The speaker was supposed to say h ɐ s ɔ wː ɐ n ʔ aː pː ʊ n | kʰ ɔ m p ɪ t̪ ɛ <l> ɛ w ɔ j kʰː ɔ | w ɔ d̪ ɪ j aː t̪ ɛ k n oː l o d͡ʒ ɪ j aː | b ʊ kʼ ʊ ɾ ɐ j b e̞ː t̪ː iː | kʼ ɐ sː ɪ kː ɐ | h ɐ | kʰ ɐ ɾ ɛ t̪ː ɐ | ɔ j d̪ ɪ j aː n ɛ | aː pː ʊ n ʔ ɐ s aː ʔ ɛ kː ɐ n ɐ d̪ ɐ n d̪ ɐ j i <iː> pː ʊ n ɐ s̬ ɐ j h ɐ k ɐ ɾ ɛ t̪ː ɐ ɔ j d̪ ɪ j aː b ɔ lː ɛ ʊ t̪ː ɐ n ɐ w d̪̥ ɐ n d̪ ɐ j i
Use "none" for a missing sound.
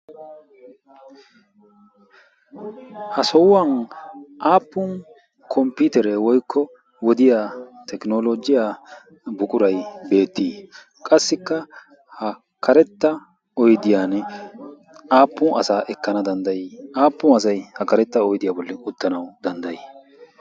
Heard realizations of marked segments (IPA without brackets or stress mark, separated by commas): ɾ, aː